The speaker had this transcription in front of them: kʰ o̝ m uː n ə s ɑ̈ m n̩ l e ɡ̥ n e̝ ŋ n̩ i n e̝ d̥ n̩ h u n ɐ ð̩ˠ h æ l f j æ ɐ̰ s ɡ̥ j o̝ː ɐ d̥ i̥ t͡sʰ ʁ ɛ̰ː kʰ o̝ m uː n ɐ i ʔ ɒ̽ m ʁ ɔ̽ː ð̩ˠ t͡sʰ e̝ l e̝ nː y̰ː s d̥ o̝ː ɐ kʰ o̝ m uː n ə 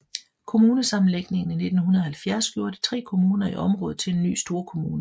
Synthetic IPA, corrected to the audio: kʰ o̝ m uː n ə s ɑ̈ m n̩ l e ɡ̥ n e̝ ŋ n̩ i n e̝ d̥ n̩ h u n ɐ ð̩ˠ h æ l f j æ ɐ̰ s ɡ̥ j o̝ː ɐ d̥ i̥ t͡sʰ ʁ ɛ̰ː kʰ o̝ m uː n ɐ i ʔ ɒ̽ m ʁ ɔ̽ː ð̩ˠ t͡sʰ e̝ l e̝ nː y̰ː s d̥ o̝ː ɐ kʰ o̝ m uː n ə